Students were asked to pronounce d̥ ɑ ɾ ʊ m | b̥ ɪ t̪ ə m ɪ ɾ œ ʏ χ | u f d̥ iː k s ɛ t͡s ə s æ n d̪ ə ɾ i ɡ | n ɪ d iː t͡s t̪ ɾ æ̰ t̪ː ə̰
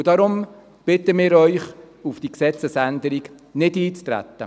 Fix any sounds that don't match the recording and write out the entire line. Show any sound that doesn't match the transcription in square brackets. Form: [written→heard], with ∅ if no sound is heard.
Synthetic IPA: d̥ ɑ ɾ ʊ m | b̥ ɪ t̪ ə m [ɪ→ɪː] ɾ œ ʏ χ | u f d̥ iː k s ɛ t͡s ə s æ n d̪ ə ɾ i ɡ | n ɪ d iː t͡s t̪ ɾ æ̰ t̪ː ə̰